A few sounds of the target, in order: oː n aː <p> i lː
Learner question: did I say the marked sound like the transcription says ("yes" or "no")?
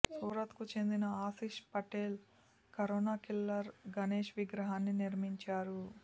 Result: no